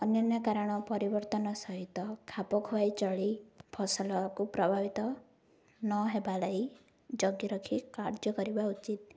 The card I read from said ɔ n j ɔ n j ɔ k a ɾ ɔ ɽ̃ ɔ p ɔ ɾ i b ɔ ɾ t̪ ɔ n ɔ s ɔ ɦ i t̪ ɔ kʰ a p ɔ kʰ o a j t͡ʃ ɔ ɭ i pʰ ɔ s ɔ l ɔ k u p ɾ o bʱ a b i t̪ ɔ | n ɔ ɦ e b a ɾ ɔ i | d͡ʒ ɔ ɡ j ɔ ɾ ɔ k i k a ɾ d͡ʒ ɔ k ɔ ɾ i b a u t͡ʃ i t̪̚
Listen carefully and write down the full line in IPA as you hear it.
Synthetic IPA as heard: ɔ n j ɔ n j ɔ k a ɾ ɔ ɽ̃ ɔ p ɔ ɾ i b ɔ ɾ t̪ ɔ n ɔ s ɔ ɦ i t̪ ɔ kʰ a p ɔ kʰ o a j t͡ʃ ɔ ɭ i pʰ ɔ s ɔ l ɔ k u p ɾ ɔ bʱ a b i t̪ ɔ | n ɔ ɦ e b a l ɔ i | d͡ʒ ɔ ɡ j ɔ ɾ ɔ kʰ i k a ɾ d͡ʒ ɔ k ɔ ɾ i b a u t͡ʃ i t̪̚

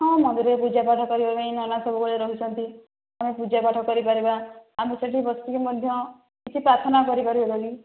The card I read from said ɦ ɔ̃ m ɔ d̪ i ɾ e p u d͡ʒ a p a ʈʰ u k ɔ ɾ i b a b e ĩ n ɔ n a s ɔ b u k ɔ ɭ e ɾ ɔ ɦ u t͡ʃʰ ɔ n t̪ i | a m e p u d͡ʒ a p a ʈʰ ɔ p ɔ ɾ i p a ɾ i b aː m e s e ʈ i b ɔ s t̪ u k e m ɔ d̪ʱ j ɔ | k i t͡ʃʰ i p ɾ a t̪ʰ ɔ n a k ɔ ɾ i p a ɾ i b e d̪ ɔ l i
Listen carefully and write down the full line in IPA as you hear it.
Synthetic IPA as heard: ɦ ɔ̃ m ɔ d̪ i ɾ e p u d͡ʒ a p a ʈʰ ɔ k ɔ ɾ i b a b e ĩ n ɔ n a s ɔ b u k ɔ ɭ e ɾ ɔ ɦ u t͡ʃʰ ɔ n t̪ i | a m e p u d͡ʒ a p a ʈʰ ɔ k ɔ ɾ i p a ɾ i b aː m e s e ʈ i b ɔ s t̪ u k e m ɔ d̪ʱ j ɔ | k i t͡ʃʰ i p ɾ a t̪ʰ ɔ n a k ɔ ɾ i p a ɾ i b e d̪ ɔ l i

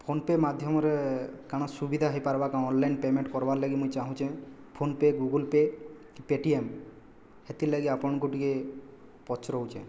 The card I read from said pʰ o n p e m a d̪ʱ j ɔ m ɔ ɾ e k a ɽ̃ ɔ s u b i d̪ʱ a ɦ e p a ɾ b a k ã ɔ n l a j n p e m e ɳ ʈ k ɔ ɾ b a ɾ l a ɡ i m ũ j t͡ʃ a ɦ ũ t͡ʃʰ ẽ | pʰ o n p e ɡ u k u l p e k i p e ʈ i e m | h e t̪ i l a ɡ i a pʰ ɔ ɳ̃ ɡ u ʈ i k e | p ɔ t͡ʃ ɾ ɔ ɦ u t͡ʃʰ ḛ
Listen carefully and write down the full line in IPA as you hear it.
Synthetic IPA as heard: pʰ o n p e m a d̪ʱ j ɔ m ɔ ɾ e k a ɽ̃ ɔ s u b i d̪ʱ a ɦ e p a ɾ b a k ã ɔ n l a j n p e m e ɳ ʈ k ɔ ɾ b a ɾ l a ɡ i m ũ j t͡ʃ a ɦ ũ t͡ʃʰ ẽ | pʰ o n p e ɡ u ɡ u l p e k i p e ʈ i e m | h e t̪ i l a ɡ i a p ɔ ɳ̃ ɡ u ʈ i k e | p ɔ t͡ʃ ɾ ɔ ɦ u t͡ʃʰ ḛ

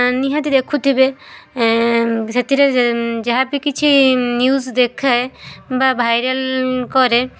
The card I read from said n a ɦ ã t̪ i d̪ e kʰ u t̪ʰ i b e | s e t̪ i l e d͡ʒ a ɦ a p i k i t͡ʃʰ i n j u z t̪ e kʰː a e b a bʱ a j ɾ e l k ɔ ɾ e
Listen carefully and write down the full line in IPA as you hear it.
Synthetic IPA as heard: n i ɦ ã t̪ i d̪ e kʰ u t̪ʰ i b e | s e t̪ i ɾ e d͡ʒ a ɦ a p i k i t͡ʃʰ i n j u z d̪ e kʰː a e b a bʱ a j ɾ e l k ɔ ɾ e

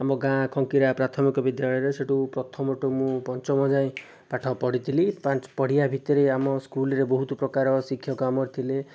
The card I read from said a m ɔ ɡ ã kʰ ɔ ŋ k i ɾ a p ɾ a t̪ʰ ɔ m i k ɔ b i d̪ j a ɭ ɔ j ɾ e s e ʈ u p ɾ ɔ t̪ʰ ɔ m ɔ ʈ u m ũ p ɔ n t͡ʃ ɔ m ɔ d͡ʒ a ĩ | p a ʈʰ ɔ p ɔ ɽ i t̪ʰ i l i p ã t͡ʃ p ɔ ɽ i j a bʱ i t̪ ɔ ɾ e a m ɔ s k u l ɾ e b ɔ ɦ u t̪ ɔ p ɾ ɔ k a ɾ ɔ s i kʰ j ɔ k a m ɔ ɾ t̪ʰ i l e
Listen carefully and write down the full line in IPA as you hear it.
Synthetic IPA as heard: a m ɔ ɡ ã kʰ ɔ ŋ k i ɾ a p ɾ a t̪ʰ ɔ m i k ɔ b i d̪ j a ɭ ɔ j ɾ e s e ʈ u p ɾ ɔ t̪ʰ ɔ m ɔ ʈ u m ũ p ɔ n t͡ʃ ɔ m ɔ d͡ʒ a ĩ | p a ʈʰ ɔ p ɔ ɽ i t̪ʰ i l i p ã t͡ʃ p ɔ ɽ i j a bʱ i t̪ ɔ ɾ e a m ɔ s k u l ɾ e b ɔ ɦ u t̪ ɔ p ɾ ɔ k a ɾ ɔ s i kʰ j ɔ k a m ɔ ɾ t̪ʰ i l e

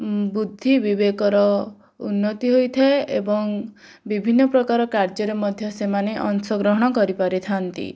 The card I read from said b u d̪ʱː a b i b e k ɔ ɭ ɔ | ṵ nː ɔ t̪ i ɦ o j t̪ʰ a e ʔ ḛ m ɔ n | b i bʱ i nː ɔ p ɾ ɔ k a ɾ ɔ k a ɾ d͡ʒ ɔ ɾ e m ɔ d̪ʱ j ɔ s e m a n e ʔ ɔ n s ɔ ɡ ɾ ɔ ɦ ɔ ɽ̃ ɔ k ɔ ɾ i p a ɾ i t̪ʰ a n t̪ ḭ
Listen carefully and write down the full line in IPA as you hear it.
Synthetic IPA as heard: b u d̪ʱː i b i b e k ɔ ɾ ɔ | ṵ nː ɔ t̪ i ɦ o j t̪ʰ a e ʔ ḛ b ɔ ŋ | b i bʱ i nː ɔ p ɾ ɔ k a ɾ ɔ k a ɾ d͡ʒ ɔ ɾ e m ɔ d̪ʱ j ɔ s e m a n e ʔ ɔ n s ɔ ɡ ɾ ɔ ɦ ɔ ɽ̃ ɔ k ɔ ɾ i p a ɾ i t̪ʰ a n t̪ ḭ

